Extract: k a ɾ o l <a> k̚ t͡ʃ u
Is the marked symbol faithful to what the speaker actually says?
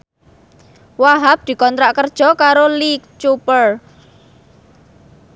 no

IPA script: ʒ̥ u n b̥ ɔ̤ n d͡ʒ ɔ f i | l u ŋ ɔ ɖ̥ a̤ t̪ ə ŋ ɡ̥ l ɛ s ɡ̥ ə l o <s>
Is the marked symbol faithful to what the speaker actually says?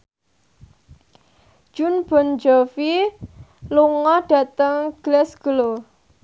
no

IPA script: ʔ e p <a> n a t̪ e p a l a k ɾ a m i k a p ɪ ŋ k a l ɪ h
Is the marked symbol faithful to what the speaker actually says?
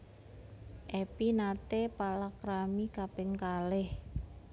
no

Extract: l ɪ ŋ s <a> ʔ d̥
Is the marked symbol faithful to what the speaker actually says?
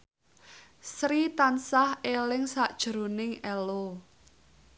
yes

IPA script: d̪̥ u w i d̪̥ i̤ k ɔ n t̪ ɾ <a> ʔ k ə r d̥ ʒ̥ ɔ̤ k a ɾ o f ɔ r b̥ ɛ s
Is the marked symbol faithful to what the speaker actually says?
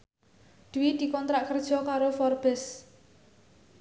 yes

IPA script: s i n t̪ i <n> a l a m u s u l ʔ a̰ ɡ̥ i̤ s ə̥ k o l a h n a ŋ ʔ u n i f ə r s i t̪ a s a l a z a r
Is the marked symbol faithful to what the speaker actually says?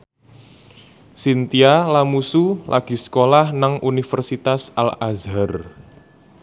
no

